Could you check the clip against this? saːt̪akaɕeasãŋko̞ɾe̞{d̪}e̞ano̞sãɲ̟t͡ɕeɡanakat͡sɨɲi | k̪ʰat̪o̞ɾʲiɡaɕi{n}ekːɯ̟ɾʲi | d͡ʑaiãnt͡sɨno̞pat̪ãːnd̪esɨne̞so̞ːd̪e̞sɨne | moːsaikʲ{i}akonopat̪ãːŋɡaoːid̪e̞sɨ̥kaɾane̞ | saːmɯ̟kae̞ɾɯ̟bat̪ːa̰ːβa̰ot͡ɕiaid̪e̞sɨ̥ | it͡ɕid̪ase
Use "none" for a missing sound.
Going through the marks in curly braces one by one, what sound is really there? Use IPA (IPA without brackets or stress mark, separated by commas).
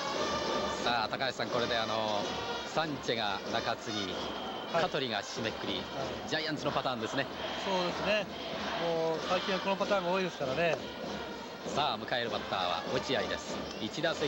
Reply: d̪, m, ĩ